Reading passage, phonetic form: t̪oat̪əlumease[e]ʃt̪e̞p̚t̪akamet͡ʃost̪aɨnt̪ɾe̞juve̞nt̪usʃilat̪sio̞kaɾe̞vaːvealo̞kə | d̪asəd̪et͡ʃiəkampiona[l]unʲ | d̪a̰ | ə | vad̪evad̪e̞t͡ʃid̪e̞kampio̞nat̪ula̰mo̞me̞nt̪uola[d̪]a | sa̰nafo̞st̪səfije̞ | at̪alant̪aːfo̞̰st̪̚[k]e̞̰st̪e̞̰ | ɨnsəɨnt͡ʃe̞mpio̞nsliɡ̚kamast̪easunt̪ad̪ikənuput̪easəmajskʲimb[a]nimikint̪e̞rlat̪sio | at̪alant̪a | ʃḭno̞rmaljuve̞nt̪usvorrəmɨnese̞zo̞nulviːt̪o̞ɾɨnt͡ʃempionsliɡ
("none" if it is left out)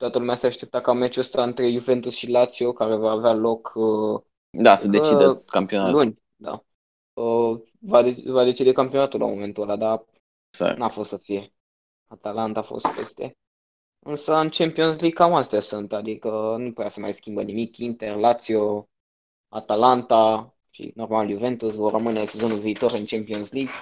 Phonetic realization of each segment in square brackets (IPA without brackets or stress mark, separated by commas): a, l, d̪, p, ə